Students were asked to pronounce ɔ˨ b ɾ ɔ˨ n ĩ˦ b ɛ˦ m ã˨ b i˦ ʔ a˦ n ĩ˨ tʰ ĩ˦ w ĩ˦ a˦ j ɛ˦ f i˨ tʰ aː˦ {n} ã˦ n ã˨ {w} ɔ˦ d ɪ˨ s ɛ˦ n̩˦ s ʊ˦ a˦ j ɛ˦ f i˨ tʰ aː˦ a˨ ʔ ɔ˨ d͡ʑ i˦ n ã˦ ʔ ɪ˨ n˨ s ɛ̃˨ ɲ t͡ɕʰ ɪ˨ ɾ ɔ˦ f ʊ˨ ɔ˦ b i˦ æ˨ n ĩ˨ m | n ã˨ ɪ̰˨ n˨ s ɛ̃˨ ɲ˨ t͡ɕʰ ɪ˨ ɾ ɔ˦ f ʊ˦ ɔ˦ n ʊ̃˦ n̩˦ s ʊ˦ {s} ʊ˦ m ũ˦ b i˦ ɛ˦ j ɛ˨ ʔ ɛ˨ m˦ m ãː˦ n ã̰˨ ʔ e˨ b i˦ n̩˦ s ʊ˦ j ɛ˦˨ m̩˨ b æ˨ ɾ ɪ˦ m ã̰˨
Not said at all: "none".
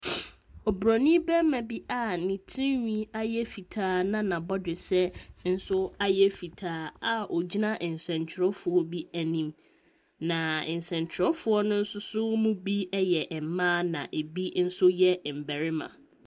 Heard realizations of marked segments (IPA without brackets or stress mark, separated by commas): n, b, s